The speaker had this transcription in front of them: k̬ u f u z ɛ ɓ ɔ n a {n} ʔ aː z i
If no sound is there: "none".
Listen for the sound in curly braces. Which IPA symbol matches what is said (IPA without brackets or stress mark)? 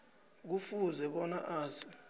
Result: none